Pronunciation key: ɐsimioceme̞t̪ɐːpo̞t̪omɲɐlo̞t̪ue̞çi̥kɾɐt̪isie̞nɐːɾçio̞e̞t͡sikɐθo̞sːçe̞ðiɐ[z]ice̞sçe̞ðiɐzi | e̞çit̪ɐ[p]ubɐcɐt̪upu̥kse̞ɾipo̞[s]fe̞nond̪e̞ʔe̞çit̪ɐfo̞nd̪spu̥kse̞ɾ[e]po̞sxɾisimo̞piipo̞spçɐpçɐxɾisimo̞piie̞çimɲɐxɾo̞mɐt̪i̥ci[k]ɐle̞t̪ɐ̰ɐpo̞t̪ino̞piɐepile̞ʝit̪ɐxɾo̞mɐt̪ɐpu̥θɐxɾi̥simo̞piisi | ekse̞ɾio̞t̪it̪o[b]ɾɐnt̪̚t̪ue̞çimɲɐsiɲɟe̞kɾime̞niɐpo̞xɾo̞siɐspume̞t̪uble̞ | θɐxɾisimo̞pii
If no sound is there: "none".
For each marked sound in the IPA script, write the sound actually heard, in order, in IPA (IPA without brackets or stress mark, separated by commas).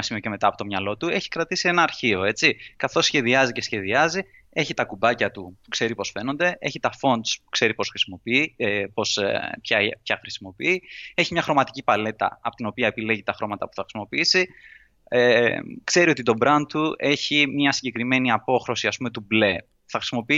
z, k, s, i, p, b